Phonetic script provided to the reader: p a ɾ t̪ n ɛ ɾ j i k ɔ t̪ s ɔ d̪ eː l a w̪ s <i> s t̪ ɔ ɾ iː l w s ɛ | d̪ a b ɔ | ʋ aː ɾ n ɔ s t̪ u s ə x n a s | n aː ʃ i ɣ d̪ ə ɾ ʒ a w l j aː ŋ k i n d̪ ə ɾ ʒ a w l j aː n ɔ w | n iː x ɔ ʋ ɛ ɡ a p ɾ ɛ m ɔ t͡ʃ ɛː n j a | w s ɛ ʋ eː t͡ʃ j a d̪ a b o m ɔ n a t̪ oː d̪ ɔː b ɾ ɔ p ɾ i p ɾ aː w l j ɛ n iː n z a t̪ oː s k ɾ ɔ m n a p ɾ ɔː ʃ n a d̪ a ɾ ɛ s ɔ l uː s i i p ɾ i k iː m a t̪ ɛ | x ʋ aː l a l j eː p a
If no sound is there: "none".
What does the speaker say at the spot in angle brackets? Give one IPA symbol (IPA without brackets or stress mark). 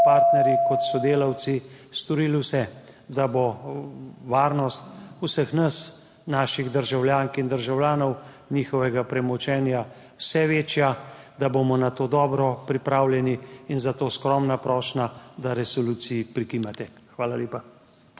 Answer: i